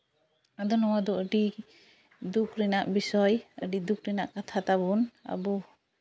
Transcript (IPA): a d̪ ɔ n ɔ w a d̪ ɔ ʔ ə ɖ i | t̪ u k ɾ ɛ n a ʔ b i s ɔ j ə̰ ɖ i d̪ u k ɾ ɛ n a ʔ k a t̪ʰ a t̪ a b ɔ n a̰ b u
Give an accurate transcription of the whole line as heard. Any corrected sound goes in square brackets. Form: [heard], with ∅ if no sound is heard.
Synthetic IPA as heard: a d̪ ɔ n ɔ w a d̪ ɔ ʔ ə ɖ i | [d̪] u k ɾ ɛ n a ʔ b i s ɔ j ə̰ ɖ i d̪ u k ɾ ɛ n a ʔ k a t̪ʰ a t̪ a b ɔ n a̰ b [ɔ]